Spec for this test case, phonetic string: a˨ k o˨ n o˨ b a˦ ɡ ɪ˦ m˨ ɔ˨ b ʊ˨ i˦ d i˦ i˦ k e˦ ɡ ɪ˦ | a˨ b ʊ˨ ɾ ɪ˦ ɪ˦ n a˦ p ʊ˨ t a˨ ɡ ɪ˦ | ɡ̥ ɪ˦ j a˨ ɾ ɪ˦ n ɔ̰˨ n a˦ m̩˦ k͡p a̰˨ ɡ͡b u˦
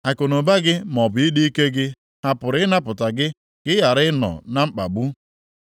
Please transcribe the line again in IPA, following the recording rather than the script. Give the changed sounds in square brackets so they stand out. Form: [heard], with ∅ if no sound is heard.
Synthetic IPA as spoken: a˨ k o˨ n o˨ b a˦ ɡ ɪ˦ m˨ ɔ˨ b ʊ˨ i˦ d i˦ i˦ k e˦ ɡ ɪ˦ | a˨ [p] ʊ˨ ɾ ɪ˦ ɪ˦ n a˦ p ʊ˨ t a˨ ɡ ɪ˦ | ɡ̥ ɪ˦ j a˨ ɾ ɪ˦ n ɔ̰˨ n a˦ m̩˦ k͡p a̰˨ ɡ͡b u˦